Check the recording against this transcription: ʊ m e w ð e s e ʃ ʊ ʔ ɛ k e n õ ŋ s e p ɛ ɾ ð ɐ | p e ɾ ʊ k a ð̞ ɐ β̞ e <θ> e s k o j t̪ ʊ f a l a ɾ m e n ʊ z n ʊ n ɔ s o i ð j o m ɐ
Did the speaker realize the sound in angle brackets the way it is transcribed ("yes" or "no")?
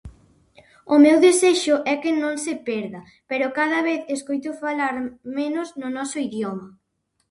yes